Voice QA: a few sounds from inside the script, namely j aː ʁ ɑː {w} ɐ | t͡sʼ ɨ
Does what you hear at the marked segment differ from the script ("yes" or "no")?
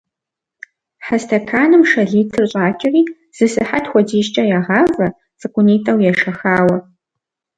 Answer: yes